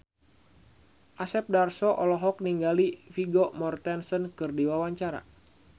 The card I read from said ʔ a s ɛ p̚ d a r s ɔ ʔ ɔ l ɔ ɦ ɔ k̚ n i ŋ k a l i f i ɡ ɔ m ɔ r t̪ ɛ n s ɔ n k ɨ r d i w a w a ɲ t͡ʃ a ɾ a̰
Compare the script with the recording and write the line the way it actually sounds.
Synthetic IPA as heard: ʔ a s ɛ p̚ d a r s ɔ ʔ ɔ l ɔ ɦ ɔ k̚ n i ŋ ɡ a l i f i ɡ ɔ m ɔ r t̪ ɛ n s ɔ n k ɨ r d i w a w a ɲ t͡ʃ a ɾ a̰